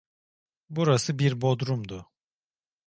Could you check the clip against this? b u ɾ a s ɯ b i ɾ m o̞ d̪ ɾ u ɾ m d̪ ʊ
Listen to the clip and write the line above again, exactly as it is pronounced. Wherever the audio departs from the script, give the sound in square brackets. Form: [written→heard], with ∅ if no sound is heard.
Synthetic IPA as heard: b u ɾ a s ɯ b i ɾ [m→b] o̞ d̪ ɾ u [ɾ→∅] m d̪ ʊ